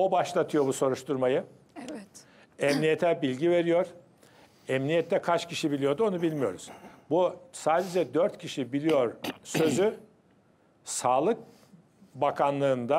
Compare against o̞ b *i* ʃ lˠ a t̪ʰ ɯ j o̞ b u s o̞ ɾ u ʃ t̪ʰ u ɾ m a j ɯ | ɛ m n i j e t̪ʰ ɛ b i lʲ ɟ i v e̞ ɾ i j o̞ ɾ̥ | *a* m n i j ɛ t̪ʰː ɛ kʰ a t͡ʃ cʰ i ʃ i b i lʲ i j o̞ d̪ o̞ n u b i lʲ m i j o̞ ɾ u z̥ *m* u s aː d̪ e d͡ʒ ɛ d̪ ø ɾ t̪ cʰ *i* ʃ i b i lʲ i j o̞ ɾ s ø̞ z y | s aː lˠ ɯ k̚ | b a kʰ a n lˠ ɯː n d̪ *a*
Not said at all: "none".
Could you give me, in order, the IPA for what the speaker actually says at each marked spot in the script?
a, ɛ, b, i, a

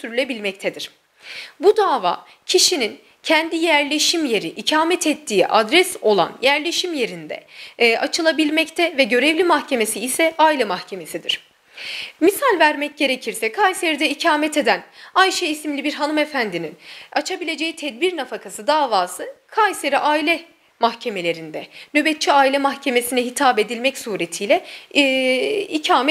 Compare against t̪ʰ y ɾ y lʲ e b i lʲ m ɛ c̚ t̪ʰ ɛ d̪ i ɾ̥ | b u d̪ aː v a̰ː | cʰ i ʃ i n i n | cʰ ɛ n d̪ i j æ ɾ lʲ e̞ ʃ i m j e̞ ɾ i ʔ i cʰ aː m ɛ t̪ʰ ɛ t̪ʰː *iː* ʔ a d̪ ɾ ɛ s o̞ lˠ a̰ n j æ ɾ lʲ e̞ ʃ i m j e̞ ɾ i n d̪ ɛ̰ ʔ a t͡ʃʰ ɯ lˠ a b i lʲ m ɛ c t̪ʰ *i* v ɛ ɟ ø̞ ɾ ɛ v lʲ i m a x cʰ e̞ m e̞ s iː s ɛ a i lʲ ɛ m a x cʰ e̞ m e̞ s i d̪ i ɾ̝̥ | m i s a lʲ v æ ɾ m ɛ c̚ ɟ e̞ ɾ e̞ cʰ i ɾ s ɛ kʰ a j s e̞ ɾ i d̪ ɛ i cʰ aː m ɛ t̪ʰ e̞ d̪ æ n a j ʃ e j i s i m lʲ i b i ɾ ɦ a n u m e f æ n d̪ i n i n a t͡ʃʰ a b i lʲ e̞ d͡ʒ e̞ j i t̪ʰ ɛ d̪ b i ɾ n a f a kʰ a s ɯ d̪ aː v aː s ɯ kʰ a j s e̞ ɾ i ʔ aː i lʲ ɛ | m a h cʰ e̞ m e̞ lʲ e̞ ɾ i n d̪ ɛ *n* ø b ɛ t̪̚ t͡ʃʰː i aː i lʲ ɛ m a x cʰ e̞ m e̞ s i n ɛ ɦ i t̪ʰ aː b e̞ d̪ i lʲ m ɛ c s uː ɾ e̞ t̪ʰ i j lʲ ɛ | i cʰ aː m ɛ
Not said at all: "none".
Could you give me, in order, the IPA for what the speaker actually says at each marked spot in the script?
iː, ɛ, n

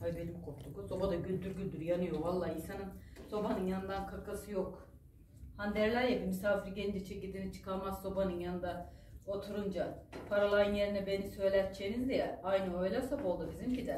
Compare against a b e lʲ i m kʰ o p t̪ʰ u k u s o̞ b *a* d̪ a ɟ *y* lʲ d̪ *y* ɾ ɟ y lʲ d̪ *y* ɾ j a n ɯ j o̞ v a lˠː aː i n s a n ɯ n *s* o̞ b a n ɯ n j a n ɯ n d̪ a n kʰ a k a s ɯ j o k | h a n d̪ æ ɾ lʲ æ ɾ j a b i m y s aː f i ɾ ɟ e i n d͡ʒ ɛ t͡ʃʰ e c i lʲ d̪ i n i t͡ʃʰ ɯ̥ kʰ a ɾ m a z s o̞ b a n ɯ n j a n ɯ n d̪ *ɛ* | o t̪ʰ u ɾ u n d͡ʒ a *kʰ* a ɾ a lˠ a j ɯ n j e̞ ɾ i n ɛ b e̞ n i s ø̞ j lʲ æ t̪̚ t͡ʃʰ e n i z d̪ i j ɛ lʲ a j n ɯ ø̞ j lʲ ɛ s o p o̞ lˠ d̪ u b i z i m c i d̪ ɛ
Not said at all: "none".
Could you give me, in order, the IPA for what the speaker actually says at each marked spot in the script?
a, y, y, y, s, a, pʰ

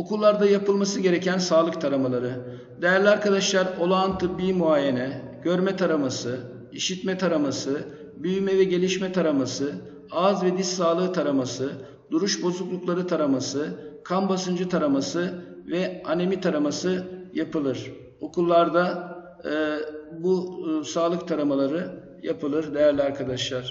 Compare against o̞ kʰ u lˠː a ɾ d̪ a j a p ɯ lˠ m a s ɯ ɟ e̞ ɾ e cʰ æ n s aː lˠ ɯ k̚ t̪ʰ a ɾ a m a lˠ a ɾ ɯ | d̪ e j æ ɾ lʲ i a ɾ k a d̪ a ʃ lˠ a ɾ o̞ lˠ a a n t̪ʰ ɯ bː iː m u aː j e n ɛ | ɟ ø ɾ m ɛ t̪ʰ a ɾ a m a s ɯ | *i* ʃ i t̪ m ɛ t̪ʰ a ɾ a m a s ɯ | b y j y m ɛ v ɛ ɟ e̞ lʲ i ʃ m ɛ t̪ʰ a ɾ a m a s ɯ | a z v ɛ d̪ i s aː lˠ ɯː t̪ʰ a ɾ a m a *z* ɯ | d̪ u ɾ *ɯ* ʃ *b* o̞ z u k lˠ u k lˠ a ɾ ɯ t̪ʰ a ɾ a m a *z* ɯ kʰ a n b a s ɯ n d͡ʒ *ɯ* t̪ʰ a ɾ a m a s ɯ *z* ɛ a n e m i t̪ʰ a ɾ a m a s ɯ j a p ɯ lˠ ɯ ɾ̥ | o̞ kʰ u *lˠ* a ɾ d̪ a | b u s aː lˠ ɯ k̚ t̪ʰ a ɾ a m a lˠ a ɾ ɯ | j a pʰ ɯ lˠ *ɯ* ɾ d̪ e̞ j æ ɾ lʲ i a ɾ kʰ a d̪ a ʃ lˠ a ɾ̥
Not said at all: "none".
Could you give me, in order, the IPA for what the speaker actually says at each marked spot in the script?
i, s, u, b, s, ɯ, v, lˠː, ɯ

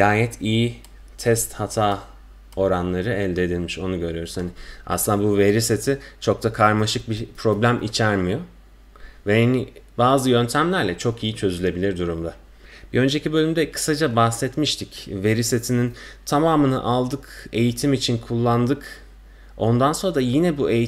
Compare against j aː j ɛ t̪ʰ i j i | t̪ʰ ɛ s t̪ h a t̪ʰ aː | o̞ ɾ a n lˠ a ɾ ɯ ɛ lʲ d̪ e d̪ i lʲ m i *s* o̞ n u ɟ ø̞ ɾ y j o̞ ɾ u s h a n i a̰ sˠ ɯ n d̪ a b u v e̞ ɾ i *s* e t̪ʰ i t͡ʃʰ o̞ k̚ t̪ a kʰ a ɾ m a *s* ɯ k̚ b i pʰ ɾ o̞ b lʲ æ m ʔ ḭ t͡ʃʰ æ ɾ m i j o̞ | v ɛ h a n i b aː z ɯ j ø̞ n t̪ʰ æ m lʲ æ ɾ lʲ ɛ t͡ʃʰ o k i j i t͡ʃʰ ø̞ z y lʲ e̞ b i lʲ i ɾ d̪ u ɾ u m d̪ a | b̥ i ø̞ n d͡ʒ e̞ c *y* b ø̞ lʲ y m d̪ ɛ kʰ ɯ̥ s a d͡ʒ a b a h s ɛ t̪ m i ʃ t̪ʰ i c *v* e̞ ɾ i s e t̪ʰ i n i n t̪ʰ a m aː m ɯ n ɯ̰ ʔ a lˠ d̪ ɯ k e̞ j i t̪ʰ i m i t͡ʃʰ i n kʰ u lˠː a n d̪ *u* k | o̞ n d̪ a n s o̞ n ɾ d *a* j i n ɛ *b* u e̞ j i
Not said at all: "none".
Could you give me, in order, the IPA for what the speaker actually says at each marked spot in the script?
ʃ, s, ʃ, i, v, ɯ, a, b

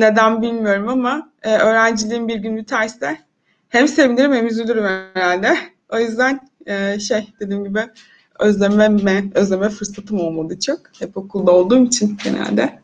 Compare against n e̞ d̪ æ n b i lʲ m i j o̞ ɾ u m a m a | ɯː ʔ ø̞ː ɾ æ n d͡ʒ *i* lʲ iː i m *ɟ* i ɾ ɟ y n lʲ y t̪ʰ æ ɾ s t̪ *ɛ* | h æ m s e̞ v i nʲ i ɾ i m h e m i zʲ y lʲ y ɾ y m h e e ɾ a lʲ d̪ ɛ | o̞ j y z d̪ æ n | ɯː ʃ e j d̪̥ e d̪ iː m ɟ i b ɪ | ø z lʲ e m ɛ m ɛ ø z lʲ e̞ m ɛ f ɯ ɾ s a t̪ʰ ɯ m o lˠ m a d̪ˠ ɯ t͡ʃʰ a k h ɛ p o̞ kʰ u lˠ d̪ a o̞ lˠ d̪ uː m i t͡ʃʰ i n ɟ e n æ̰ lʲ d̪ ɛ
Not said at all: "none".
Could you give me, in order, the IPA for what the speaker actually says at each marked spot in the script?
i, b, ɛ

